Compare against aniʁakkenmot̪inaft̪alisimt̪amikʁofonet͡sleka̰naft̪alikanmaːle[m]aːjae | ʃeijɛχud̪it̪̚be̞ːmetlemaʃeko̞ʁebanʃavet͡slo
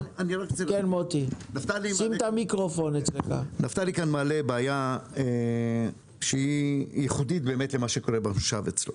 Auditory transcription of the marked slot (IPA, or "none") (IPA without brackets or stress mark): b